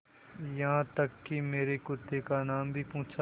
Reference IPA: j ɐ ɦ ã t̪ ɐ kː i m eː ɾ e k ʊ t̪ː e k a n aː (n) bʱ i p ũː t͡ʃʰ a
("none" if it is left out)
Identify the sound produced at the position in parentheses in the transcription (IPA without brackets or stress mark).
m